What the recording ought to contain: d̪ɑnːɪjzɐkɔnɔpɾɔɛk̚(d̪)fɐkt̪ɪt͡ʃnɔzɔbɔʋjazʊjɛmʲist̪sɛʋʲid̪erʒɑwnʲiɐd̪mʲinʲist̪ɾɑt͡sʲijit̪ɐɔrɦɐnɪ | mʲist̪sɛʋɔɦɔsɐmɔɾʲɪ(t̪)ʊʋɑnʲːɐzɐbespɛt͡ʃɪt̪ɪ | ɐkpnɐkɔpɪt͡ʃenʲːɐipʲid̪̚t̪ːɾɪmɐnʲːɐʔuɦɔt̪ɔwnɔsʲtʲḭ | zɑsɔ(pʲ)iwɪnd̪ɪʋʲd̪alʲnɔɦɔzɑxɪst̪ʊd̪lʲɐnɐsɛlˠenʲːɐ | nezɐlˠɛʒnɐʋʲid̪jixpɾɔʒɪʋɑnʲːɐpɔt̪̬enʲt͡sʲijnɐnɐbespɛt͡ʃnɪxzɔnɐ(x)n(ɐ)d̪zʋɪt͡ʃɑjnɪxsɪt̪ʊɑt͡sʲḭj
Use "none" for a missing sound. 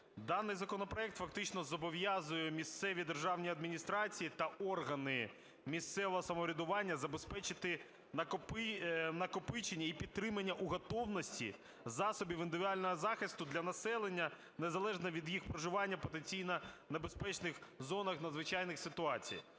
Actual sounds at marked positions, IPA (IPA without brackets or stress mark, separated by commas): t̪, d̪, bʲ, x, ɐ